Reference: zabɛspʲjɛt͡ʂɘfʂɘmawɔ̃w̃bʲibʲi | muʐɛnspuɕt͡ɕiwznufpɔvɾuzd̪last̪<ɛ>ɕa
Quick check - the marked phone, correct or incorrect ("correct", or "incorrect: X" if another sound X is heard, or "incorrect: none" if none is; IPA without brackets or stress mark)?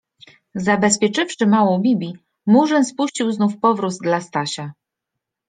incorrect: a